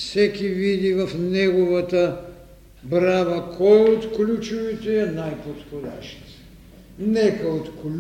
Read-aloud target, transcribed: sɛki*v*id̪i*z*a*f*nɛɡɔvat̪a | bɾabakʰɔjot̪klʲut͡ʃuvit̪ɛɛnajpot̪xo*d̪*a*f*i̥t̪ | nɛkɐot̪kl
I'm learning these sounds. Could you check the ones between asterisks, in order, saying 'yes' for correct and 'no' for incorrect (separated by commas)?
yes, no, yes, yes, no